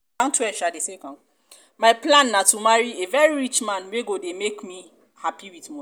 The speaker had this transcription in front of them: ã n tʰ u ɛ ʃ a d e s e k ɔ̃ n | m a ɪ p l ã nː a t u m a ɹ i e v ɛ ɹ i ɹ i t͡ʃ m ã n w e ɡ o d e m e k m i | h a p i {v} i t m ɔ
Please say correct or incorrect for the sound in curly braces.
incorrect